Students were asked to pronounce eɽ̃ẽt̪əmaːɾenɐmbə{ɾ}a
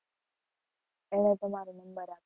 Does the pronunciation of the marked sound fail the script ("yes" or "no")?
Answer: no